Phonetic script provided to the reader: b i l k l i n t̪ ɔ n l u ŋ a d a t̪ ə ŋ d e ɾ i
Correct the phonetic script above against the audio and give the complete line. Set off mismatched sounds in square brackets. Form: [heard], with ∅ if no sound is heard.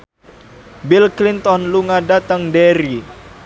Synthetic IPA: b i l k l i n t̪ ɔ n l u ŋ a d a t̪ ə ŋ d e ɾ i